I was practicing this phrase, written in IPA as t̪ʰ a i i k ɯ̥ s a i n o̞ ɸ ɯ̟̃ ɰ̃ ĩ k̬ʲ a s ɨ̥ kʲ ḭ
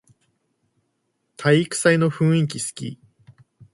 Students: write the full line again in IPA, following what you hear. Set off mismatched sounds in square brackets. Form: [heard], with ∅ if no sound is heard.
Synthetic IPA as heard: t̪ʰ a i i k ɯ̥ s a i n o̞ ɸ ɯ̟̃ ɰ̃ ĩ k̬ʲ [i] s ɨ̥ kʲ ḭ

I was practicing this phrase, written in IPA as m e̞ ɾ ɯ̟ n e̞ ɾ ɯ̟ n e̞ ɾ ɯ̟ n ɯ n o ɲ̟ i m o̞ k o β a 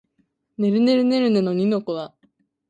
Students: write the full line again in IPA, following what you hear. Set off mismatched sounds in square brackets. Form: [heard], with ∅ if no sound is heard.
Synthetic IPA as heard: [n] e̞ ɾ ɯ̟ n e̞ ɾ ɯ̟ n e̞ ɾ ɯ̟ n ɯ n o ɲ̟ i [n] o̞ k o β a

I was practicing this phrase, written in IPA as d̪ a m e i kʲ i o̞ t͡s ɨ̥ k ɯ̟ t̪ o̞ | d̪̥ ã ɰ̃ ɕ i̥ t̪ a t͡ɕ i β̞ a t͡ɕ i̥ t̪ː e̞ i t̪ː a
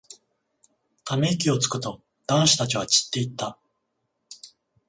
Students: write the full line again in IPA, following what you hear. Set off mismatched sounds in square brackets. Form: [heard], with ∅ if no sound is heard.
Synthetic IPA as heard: [t̪] a m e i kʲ i o̞ t͡s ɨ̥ k ɯ̟ t̪ o̞ | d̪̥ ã ɰ̃ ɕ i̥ t̪ a t͡ɕ i β̞ a t͡ɕ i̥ t̪ː e̞ i t̪ː a

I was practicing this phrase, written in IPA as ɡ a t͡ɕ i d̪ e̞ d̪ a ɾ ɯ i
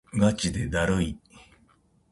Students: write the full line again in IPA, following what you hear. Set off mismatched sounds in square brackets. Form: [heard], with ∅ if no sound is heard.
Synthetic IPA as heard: ɡ a t͡ɕ i d̪ e̞ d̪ a ɾ ɯ i

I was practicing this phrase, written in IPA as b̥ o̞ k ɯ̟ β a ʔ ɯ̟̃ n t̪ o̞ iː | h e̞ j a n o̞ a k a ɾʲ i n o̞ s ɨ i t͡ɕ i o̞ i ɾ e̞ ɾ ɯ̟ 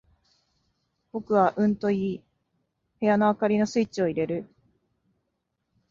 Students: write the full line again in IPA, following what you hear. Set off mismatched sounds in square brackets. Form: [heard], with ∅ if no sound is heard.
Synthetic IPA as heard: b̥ o̞ k ɯ̟ β a ʔ ɯ̟̃ n t̪ o̞ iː | h e̞ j a n o̞ a k a ɾʲ i n o̞ s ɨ i t͡ɕ i o̞ i ɾ e̞ ɾ ɯ̟

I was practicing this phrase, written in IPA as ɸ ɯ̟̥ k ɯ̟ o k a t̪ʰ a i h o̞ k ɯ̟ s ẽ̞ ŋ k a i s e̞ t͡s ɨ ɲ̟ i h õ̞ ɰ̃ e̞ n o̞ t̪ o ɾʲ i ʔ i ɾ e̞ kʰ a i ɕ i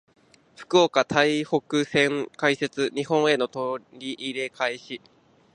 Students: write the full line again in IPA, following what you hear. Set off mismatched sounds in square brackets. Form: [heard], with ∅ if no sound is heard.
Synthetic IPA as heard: ɸ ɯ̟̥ k ɯ̟ o k a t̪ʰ a i h o̞ k ɯ̟ s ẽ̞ ŋ k a i s e̞ t͡s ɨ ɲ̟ i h õ̞ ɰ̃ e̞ n o̞ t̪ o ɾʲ i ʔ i ɾ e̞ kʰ a i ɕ i

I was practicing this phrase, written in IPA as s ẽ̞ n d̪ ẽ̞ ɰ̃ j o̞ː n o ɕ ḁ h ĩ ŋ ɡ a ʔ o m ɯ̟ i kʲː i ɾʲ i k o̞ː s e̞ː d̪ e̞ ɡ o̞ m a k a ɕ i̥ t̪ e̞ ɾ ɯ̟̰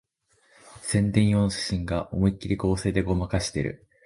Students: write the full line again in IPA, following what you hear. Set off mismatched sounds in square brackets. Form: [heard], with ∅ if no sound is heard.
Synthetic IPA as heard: s ẽ̞ n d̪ ẽ̞ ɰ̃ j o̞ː n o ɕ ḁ [ɕ] ĩ ŋ ɡ a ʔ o m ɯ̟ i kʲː i ɾʲ i k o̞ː s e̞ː d̪ e̞ ɡ o̞ m a k a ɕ i̥ t̪ e̞ ɾ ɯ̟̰

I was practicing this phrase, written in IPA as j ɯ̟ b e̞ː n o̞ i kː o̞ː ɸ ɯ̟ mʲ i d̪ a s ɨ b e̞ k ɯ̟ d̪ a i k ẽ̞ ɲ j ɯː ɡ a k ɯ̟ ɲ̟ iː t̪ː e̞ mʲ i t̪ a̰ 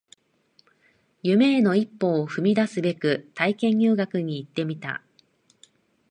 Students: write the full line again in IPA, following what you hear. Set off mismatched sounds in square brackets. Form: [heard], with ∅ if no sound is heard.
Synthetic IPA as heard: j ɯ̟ [m] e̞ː n o̞ i [pː] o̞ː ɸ ɯ̟ mʲ i d̪ a s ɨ b e̞ k ɯ̟ [t̪] a i k ẽ̞ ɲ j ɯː ɡ a k ɯ̟ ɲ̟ iː t̪ː e̞ mʲ i t̪ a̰

